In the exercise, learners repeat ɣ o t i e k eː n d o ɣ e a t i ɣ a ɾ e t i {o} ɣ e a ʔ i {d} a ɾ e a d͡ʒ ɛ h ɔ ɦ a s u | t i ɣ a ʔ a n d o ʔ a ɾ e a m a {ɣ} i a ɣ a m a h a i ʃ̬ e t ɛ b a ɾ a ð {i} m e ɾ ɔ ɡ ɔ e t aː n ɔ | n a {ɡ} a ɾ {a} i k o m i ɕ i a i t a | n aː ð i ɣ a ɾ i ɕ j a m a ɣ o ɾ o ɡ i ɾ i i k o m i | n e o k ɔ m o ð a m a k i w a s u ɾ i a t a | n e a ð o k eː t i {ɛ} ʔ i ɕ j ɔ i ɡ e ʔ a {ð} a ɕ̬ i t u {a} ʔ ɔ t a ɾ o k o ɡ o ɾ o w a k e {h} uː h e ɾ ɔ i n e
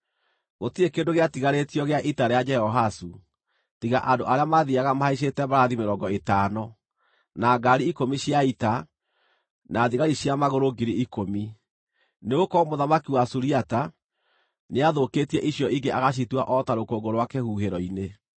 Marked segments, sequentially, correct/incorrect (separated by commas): incorrect, incorrect, incorrect, correct, correct, incorrect, correct, incorrect, correct, correct